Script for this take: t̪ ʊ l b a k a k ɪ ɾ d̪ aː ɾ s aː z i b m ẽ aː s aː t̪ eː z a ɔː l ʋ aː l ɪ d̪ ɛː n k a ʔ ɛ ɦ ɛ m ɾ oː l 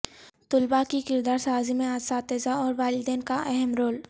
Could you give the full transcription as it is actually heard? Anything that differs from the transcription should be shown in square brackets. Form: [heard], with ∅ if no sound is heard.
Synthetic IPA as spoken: t̪ ʊ l b a k [i] k ɪ ɾ d̪ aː ɾ s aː z i [∅] m ẽ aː s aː t̪ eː z a ɔː [ɾ] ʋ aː l ɪ d̪ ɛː n k a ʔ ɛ ɦ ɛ m ɾ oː l